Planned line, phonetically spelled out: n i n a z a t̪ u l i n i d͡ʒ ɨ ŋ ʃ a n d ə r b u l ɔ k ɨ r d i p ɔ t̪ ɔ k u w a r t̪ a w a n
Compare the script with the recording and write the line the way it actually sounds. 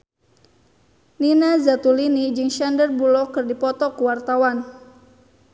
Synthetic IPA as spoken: n i n a z a t̪ u l i n i d͡ʒ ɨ ŋ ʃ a n d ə r b u l ɔ k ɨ r d i p ɔ t̪ ɔ k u w a r t̪ a w a n